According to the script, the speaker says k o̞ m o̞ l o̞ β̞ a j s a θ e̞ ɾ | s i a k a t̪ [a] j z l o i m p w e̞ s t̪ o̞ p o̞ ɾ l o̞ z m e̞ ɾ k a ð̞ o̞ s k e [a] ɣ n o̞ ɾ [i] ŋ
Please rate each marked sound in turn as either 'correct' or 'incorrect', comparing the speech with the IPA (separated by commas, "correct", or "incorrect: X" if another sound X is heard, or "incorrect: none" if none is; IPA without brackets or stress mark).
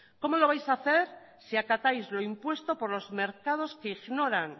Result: correct, incorrect: i, incorrect: a